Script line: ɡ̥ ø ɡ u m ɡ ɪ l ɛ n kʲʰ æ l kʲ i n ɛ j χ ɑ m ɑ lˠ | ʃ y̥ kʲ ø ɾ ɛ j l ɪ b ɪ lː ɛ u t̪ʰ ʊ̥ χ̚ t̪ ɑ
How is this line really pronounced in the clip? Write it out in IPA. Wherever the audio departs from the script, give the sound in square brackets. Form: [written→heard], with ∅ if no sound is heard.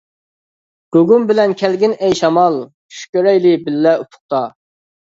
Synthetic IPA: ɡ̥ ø ɡ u m [ɡ→b] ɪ l ɛ n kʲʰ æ l [kʲ→ɡʲ] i n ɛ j [χ→ʃ] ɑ m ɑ lˠ | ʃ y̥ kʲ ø ɾ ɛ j l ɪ b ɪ lː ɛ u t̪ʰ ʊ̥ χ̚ t̪ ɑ